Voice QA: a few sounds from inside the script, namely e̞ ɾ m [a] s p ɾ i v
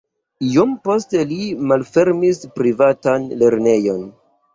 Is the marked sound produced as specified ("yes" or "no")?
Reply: no